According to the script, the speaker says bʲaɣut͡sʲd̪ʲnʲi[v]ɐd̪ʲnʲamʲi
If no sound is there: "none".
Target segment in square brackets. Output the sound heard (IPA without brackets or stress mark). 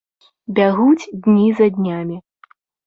z